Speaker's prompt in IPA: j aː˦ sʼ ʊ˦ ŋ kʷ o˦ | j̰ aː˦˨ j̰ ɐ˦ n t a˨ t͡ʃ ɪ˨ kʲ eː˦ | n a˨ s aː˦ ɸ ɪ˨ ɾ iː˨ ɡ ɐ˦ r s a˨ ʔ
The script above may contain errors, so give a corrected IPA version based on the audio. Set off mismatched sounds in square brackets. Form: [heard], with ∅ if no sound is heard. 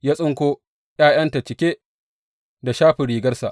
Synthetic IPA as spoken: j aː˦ sʼ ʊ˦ ŋ kʷ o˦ | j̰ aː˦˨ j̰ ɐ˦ n t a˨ t͡ʃ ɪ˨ kʲ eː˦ | [d] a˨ [ʃ] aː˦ ɸ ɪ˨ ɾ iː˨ ɡ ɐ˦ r s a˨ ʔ